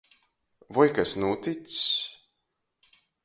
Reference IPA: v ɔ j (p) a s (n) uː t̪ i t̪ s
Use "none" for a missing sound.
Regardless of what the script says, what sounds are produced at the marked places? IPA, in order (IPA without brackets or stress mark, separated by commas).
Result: k, n